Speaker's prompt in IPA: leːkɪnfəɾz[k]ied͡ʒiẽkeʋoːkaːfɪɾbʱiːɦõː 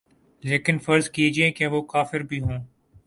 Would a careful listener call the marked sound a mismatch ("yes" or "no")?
no